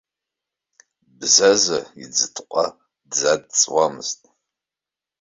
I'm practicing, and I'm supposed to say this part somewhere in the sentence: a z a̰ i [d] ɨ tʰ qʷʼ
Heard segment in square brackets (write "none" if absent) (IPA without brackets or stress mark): d͡z